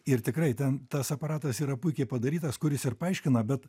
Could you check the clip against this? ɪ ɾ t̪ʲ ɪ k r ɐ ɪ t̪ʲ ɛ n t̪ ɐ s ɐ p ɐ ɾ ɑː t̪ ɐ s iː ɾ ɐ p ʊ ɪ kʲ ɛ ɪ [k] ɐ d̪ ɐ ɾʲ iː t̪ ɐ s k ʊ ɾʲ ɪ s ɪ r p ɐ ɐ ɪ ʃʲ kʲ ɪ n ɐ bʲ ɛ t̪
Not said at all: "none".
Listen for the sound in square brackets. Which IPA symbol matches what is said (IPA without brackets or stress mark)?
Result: p